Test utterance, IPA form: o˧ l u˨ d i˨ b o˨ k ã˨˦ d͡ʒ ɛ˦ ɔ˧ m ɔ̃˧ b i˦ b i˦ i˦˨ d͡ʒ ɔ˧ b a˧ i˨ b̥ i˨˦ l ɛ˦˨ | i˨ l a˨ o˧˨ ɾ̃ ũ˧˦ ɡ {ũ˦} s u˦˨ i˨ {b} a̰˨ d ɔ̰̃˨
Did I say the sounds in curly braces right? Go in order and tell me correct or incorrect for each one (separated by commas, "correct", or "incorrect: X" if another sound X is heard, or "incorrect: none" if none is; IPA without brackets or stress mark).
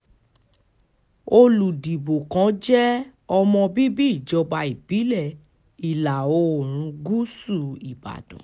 incorrect: u˦, correct